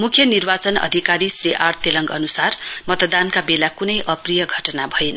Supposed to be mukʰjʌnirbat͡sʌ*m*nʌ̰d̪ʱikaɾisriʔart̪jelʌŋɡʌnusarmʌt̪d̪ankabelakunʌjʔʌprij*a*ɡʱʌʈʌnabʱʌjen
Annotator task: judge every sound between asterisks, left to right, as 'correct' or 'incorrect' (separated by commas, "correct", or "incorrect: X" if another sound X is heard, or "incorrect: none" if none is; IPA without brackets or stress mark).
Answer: incorrect: none, incorrect: ʌ